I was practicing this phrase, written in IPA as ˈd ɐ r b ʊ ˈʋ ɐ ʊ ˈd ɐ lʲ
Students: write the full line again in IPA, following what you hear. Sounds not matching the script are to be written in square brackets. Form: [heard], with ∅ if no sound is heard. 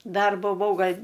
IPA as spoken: ˈd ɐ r b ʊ ˈʋ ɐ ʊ [ˈɡ] ɐ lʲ